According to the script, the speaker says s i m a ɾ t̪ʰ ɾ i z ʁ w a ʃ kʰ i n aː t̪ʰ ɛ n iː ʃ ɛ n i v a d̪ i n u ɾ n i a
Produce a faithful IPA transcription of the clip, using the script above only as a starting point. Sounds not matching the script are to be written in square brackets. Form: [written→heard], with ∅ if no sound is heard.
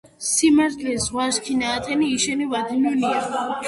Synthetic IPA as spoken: s i m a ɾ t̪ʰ [ɾ→l] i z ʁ w a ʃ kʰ i n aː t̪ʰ ɛ n iː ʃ ɛ n i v a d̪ i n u [ɾ→∅] n i a